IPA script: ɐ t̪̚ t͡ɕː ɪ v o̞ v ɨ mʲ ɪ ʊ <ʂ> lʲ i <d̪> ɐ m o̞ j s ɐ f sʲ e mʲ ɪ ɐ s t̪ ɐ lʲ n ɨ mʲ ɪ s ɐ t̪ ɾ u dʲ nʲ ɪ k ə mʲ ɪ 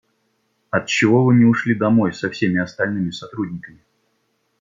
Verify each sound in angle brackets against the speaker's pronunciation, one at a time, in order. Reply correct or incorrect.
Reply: correct, correct

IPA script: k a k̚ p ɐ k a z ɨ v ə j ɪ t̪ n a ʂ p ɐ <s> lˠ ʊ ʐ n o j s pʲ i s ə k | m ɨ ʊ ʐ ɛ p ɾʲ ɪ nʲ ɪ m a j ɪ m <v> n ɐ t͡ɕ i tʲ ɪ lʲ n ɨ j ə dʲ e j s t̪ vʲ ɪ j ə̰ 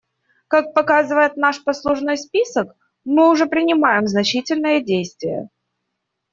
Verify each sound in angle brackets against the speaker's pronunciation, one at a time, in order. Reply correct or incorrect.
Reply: correct, incorrect: z

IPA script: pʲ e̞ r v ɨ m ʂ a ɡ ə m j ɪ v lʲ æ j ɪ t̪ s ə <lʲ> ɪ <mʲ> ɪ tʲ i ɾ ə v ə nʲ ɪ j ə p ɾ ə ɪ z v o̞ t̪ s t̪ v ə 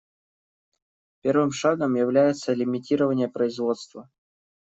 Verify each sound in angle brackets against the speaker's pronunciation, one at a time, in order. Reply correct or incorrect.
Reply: correct, correct

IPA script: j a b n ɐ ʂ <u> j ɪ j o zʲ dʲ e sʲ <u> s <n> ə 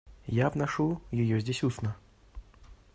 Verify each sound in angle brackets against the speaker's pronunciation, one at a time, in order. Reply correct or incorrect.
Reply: correct, correct, correct

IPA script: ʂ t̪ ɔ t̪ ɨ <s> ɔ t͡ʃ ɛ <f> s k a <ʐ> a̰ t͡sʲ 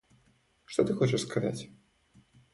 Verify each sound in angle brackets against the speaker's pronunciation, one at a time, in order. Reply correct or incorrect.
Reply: incorrect: x, incorrect: ʂ, incorrect: z

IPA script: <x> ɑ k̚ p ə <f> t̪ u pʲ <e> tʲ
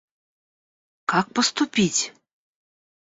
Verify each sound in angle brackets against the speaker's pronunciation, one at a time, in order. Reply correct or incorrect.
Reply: incorrect: k, incorrect: s, incorrect: i

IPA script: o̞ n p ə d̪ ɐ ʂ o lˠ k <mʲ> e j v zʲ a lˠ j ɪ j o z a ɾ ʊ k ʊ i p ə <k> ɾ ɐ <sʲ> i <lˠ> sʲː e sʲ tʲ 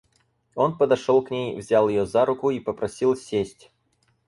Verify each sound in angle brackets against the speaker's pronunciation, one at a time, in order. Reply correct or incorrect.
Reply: incorrect: nʲ, incorrect: p, correct, correct

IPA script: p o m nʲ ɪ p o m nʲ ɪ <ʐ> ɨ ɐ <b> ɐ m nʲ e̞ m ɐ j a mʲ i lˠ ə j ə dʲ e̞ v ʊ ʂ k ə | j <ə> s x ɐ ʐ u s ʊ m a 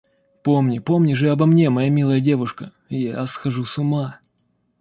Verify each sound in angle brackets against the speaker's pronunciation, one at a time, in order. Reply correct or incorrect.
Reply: correct, correct, incorrect: a

